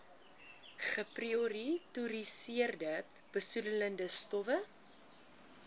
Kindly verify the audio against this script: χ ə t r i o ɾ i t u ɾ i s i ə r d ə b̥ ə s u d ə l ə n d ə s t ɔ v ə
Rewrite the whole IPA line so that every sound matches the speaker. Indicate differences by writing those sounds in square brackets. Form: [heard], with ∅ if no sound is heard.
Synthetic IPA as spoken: χ ə [p] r i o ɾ i t u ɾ i s i ə r d ə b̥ ə s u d ə l ə n d ə s t ɔ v ə